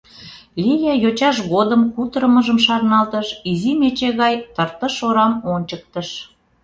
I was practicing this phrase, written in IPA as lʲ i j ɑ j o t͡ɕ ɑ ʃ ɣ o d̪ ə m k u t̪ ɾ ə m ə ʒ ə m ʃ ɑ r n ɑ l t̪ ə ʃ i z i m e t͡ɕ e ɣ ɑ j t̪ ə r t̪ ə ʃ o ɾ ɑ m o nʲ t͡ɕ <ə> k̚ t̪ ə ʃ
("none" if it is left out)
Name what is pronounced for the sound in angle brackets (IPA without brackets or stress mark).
ə